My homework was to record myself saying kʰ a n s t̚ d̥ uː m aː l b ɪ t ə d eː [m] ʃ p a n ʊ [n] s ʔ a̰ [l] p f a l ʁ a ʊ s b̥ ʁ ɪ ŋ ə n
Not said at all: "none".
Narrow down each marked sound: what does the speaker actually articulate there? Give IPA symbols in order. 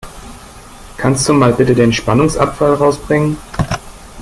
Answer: n, ŋ, none

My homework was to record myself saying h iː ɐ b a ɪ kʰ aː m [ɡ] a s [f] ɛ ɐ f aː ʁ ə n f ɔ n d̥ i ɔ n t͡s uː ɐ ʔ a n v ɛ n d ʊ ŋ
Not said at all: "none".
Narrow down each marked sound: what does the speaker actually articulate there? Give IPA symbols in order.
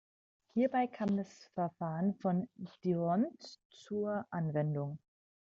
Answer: d, f

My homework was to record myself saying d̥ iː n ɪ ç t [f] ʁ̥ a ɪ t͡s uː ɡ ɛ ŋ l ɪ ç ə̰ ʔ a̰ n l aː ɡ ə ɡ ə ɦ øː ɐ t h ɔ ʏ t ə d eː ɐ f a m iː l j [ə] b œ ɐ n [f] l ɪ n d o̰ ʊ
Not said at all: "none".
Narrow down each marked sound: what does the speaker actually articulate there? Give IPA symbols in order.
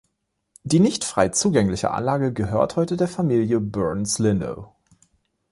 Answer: f, ə, s

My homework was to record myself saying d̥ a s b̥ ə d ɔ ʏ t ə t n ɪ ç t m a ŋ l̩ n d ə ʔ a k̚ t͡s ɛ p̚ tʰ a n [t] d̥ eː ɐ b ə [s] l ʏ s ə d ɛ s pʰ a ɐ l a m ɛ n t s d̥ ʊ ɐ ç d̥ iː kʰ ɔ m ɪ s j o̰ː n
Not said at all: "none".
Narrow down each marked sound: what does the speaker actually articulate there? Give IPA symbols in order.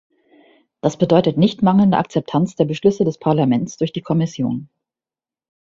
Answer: t͡s, ʃ

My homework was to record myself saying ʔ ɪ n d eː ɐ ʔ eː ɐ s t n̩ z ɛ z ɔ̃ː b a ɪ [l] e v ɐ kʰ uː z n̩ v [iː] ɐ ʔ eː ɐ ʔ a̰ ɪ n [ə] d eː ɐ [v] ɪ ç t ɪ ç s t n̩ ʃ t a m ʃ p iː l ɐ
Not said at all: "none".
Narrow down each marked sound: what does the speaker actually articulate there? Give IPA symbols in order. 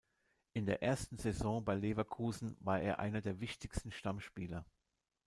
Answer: l, aː, ɐ, v

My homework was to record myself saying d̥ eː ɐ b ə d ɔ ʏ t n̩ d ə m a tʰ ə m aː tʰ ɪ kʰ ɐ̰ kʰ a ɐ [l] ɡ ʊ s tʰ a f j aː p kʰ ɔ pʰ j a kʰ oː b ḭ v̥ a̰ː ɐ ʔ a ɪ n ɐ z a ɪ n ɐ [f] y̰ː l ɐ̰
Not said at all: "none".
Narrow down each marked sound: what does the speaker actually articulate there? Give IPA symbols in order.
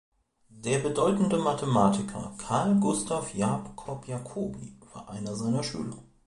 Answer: l, ʃ

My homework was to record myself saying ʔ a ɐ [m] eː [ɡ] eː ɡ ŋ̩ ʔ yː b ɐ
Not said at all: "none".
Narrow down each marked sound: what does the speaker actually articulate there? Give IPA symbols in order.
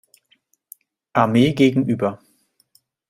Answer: m, ɡ

